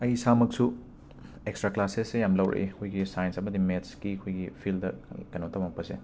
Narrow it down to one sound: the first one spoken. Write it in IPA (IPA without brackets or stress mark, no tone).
ɐ